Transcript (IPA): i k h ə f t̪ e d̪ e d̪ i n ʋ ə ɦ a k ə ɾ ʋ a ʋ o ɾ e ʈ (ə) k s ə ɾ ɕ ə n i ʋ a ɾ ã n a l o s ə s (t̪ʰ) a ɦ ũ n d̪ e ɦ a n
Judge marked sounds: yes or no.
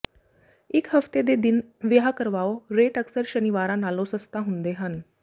yes, no

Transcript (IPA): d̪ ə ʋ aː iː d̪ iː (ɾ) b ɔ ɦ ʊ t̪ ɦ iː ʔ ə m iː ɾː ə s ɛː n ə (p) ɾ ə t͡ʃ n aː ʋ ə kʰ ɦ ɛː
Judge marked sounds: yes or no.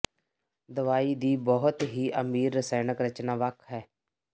no, no

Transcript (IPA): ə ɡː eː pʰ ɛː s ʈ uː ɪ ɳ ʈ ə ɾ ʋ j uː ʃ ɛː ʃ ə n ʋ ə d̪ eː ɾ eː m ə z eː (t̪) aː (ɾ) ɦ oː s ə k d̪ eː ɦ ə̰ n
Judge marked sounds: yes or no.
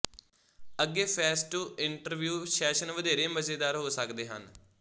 no, yes

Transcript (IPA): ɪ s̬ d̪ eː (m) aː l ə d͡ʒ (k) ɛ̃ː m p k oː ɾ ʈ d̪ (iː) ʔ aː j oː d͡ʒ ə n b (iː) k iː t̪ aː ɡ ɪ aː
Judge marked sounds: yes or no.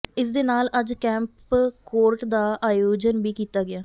no, yes, no, yes

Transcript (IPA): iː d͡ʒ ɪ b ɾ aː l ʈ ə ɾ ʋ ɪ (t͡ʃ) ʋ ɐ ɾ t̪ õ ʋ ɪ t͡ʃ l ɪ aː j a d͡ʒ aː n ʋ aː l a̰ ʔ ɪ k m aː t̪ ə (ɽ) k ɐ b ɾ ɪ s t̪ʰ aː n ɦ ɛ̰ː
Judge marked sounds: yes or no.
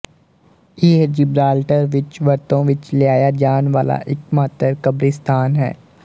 yes, no

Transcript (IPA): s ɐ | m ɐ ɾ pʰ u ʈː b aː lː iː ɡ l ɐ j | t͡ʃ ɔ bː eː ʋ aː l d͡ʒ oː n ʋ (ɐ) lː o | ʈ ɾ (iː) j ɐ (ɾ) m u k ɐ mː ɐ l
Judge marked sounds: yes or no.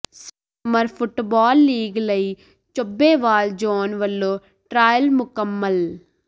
yes, no, no

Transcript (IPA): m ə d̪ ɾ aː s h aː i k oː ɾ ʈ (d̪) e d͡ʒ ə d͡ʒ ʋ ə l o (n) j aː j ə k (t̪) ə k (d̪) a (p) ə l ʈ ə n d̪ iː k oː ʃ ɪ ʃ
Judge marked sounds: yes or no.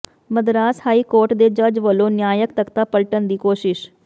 yes, yes, yes, no, yes

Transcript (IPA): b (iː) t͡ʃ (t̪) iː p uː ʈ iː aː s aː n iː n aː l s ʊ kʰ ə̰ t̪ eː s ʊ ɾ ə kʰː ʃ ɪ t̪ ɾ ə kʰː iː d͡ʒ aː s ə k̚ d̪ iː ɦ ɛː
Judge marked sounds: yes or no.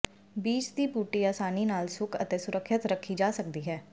yes, no

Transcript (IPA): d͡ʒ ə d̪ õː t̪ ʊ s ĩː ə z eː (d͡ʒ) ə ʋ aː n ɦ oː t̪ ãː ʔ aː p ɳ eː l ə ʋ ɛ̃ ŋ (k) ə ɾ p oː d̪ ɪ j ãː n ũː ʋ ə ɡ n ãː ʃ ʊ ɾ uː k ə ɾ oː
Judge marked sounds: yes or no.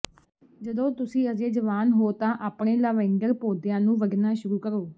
yes, no

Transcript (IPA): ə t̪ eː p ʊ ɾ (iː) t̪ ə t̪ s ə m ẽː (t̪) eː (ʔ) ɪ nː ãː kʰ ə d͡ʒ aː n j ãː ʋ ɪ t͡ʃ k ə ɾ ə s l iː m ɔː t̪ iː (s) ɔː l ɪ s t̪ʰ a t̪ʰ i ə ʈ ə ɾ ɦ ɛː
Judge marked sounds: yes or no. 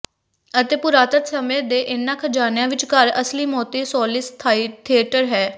no, no, yes, yes

